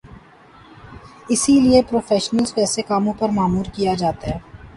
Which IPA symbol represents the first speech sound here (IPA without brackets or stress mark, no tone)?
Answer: ɪ